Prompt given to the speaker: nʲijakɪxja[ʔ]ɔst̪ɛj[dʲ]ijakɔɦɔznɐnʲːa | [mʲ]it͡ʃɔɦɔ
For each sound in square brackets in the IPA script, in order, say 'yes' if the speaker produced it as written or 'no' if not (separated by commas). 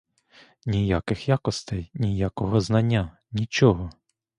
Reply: no, no, no